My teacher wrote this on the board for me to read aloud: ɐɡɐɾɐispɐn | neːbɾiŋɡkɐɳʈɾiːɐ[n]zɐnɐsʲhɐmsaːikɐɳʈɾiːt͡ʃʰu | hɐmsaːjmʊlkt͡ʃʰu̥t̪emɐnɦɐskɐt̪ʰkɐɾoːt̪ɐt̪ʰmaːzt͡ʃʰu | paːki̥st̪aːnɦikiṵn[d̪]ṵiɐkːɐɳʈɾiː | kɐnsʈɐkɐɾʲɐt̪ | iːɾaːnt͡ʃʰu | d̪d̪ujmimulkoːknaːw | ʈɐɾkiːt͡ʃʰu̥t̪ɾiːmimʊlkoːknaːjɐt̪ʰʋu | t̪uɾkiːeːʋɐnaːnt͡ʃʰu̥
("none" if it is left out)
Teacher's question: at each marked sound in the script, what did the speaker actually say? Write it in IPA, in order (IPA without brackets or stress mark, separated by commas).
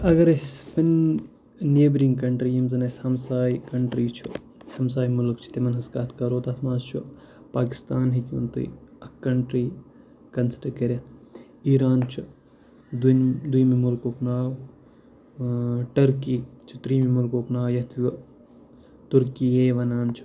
m, t̪